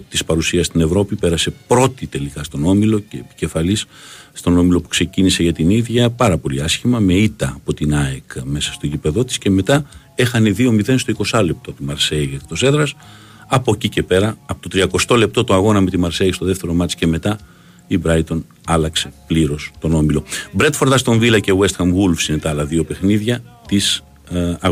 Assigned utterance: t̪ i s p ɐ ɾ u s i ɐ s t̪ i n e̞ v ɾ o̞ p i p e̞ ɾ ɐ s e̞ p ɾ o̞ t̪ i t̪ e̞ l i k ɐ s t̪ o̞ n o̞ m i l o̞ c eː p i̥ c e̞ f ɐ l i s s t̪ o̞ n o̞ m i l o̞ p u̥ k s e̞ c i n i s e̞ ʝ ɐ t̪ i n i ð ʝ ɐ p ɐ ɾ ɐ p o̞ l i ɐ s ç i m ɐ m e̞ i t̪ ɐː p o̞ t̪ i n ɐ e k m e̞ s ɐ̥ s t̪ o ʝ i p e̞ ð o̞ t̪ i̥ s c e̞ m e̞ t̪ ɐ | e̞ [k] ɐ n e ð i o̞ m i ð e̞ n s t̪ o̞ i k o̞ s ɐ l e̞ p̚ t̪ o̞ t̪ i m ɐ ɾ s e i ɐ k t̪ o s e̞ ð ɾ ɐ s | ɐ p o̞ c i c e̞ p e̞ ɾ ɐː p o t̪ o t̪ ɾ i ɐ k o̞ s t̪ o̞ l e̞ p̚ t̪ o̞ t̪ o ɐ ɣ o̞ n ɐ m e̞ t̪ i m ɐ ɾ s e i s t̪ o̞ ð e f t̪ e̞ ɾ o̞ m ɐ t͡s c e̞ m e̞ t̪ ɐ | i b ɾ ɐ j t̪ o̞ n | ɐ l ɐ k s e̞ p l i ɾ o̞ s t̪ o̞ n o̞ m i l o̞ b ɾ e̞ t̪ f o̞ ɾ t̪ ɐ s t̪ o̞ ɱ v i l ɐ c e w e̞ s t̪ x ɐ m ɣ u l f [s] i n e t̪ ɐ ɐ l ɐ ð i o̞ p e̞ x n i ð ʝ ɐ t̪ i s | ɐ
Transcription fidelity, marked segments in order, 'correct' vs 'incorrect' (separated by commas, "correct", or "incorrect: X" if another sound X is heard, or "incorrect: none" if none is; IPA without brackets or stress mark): incorrect: x, correct